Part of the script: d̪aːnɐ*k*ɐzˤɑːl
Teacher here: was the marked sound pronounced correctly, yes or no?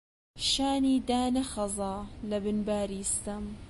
no